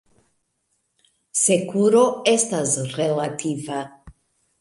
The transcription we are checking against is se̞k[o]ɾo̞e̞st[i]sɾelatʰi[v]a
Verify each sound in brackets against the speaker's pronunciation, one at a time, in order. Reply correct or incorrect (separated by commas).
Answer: incorrect, incorrect, correct